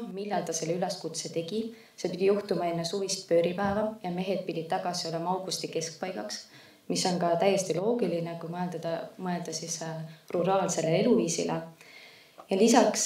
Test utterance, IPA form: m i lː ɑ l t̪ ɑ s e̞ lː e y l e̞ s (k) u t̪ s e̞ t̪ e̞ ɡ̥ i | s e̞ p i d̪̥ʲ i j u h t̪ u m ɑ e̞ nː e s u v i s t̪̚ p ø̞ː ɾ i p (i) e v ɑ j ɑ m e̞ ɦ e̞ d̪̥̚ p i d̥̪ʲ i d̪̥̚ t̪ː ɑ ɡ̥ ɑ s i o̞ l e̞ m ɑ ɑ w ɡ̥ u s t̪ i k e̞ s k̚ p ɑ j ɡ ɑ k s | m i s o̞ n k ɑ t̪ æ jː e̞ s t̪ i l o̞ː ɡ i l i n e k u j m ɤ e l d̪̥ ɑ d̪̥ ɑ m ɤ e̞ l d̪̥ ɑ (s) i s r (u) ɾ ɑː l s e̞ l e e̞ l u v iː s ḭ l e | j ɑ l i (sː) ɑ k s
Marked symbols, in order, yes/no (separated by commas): yes, no, yes, yes, no